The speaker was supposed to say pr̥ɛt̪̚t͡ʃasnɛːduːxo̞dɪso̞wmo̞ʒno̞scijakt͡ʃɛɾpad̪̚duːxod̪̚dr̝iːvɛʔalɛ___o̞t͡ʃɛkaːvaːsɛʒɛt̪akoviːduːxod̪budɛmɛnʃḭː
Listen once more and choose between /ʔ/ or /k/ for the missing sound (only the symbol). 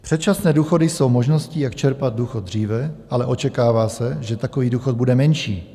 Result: ʔ